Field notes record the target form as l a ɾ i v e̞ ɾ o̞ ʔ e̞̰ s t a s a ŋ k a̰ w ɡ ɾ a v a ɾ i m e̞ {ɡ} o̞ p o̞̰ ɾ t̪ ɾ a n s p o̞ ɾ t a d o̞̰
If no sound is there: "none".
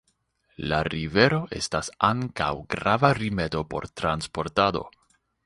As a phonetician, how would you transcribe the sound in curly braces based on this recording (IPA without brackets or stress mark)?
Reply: d